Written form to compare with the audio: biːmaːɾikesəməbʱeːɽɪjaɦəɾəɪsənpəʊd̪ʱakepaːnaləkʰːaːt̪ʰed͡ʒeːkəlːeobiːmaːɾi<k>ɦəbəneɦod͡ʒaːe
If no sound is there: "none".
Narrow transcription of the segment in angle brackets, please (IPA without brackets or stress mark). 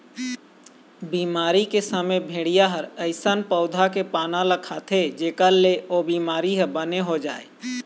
none